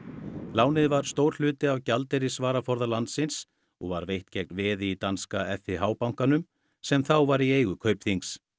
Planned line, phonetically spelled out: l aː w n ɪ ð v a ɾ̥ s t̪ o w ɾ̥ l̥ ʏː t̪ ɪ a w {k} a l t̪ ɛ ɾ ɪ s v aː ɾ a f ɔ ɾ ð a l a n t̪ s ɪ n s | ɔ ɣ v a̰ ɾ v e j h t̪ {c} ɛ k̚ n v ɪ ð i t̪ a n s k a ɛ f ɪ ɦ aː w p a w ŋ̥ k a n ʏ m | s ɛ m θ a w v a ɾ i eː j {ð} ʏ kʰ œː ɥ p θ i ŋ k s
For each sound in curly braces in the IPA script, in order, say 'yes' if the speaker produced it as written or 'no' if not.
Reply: no, yes, no

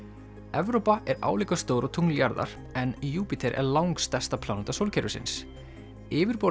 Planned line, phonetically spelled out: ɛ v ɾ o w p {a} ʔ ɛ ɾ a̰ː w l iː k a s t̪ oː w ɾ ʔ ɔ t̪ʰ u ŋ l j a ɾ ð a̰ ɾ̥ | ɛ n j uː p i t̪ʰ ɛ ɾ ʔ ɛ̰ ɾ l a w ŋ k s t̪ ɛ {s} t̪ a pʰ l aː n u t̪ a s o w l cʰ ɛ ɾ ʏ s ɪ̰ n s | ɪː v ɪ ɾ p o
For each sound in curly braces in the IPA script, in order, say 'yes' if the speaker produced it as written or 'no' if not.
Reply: yes, yes

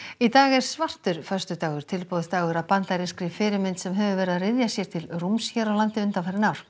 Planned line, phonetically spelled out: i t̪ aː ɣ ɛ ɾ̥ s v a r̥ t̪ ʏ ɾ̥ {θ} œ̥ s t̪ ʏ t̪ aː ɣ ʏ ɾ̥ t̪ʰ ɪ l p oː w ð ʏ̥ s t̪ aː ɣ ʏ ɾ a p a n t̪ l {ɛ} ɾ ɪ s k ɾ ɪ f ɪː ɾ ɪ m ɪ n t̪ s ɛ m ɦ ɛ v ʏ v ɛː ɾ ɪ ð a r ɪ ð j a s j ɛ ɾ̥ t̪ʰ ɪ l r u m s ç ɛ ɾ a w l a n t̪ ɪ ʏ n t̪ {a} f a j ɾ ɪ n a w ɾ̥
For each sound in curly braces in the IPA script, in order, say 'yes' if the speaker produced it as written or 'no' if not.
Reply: no, no, yes

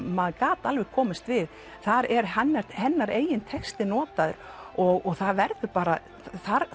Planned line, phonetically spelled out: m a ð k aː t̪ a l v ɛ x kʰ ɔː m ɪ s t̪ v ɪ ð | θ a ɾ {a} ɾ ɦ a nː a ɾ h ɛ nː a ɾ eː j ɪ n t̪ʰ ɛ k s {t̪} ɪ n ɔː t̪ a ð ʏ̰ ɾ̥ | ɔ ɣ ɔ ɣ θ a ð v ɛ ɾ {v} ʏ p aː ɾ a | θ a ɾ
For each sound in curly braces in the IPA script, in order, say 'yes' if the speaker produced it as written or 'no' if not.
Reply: no, yes, no

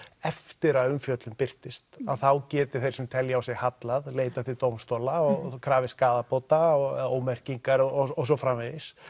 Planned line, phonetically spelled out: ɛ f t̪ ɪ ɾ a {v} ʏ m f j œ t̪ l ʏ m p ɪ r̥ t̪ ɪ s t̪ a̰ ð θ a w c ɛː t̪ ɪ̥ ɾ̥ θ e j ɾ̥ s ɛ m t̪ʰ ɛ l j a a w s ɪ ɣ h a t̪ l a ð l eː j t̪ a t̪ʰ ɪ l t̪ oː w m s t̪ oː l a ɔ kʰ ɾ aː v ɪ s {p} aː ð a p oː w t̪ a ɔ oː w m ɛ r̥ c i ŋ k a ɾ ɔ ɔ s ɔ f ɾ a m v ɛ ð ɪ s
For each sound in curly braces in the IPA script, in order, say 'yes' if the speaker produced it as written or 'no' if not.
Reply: no, no

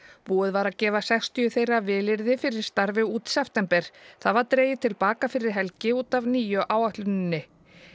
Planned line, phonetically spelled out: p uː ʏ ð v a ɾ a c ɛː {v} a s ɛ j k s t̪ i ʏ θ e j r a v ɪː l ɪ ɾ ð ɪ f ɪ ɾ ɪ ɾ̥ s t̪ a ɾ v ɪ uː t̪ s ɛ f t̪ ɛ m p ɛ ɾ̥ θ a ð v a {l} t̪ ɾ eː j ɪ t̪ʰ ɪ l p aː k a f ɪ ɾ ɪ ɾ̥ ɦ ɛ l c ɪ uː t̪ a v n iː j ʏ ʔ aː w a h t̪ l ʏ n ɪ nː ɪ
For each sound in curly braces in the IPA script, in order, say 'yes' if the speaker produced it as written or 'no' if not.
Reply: yes, no

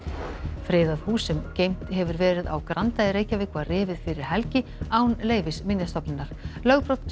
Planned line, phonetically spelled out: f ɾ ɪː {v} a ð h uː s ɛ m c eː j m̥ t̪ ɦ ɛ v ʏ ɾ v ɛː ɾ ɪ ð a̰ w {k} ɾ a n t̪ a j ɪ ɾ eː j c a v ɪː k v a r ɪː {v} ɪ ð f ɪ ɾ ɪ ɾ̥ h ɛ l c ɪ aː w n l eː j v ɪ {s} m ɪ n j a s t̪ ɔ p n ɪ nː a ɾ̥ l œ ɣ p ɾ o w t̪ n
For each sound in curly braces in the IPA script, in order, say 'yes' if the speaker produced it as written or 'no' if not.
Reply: no, yes, yes, yes

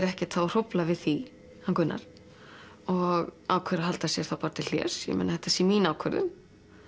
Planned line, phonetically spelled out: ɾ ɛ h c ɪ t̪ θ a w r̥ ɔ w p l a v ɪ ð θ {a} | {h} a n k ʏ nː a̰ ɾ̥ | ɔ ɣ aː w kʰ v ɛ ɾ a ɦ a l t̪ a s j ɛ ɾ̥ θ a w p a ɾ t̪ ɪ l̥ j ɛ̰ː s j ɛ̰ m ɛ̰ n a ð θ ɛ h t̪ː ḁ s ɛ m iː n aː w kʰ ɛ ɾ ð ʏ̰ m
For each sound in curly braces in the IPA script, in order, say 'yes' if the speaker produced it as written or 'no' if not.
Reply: no, yes

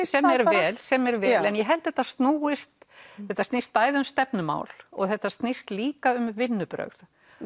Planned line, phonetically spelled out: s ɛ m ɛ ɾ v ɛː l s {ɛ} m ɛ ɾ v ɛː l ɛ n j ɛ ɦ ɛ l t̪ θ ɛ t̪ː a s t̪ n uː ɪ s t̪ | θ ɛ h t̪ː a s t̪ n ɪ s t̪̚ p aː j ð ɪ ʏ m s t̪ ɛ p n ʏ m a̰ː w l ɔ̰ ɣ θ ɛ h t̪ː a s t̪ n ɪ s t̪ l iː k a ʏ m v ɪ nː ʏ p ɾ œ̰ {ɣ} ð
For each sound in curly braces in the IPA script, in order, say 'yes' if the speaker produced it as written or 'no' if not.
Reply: yes, yes

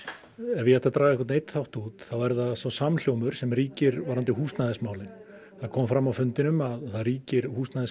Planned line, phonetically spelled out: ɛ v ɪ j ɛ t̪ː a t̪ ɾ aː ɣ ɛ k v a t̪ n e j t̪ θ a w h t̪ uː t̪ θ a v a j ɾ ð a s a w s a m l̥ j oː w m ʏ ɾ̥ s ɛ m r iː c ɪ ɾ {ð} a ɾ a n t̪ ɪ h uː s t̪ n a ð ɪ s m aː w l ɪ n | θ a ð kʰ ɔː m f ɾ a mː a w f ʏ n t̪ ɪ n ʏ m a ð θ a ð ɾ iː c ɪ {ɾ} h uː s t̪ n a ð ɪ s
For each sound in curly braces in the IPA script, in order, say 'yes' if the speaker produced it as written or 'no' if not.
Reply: no, yes

